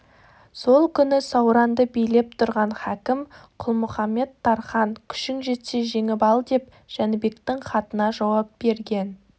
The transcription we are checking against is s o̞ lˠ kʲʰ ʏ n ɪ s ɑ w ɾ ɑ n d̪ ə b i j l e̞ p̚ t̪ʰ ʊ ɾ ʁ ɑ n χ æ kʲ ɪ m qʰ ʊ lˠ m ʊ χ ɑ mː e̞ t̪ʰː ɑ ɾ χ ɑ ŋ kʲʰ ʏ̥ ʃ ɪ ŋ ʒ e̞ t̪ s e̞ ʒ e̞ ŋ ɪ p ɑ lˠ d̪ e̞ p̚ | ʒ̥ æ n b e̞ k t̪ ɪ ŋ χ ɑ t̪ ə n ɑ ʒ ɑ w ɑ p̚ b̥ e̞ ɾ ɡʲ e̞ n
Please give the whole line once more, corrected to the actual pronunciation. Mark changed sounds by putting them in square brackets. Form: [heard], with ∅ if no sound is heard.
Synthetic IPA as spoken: s o̞ lˠ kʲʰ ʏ n ɪ s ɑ w ɾ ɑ n d̪ ə b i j l e̞ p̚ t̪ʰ ʊ ɾ ʁ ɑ n χ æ kʲ ɪ m qʰ ʊ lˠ m ʊ χ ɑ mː e̞ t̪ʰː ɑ ɾ χ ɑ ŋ kʲʰ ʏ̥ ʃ ɪ ŋ ʒ e̞ t̪ s e̞ ʒ e̞ ŋ ɪ p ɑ lˠ d̪ e̞ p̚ | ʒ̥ æ n b e̞ k t̪ ɪ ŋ χ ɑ t̪ ə n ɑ ʒ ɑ w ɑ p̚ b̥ e̞ ɾ ɡʲ e̞ n